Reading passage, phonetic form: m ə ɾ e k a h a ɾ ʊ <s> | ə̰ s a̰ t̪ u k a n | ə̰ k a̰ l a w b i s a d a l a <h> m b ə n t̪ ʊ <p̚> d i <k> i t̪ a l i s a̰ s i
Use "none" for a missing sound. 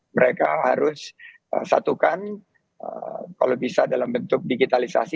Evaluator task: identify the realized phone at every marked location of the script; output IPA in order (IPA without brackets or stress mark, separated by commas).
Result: s, none, k̚, ɡ